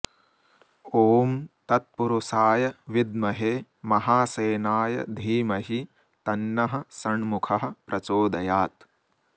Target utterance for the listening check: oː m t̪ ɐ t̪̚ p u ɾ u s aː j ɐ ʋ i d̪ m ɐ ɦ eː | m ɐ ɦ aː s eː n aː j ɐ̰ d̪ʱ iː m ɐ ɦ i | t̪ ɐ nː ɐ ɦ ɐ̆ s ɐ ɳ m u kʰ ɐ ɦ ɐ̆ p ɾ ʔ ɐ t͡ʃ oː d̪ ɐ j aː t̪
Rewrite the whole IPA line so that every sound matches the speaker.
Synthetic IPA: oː m t̪ ɐ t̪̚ p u ɾ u s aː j ɐ ʋ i d̪ m ɐ ɦ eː | m ɐ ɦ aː s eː n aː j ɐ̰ d̪ʱ iː m ɐ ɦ i | t̪ ɐ nː ɐ ɦ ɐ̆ s ɐ ɳ m u kʰ ɐ ɦ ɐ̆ p ɾ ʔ ɐ t͡ʃ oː d̪ ɐ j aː t̪